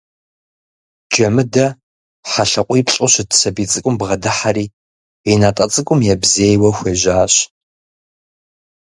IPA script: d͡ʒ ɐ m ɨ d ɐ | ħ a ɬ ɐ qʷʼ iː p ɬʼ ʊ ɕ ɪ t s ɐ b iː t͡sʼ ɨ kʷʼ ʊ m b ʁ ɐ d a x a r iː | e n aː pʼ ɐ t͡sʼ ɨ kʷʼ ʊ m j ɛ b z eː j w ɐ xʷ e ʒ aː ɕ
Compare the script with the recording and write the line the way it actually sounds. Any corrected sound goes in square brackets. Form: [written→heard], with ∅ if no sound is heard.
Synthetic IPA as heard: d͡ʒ ɐ m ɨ d ɐ | ħ a ɬ ɐ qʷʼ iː p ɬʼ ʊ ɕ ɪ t s ɐ b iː t͡sʼ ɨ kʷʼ ʊ m b ʁ ɐ d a [x→ħ] a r iː | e n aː [pʼ→tʼ] ɐ t͡sʼ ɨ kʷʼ ʊ m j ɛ b z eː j w ɐ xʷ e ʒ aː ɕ